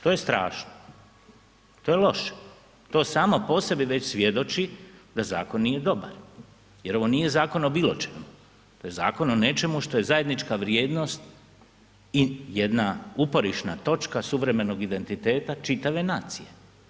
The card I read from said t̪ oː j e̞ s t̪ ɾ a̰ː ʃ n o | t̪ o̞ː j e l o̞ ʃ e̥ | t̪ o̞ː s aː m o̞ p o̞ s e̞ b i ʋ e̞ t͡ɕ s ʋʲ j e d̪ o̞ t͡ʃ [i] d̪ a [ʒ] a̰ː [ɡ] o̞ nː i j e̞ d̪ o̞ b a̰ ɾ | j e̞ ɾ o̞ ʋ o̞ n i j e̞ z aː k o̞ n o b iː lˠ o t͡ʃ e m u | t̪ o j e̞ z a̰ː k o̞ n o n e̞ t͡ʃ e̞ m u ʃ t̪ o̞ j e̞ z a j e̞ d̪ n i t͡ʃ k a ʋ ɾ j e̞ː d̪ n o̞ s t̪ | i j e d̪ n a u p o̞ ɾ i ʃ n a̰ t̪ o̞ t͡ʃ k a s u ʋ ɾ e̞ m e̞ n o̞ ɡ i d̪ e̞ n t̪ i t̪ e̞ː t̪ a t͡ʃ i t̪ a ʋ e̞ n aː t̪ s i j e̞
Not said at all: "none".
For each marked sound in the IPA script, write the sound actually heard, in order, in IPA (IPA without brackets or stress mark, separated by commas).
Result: i, z, k